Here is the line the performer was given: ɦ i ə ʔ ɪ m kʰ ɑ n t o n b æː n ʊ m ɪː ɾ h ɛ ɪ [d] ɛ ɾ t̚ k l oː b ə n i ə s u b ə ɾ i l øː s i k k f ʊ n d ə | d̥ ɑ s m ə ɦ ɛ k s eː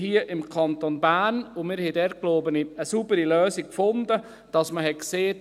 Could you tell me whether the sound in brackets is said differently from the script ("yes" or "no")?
no